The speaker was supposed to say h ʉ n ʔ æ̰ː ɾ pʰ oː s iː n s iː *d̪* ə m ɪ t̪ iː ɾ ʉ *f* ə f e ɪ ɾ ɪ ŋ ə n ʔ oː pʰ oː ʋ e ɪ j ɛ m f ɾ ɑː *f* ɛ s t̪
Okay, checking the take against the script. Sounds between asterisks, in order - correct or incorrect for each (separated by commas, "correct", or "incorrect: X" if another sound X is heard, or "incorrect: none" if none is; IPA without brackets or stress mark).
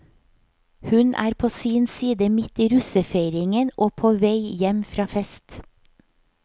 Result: correct, incorrect: s, correct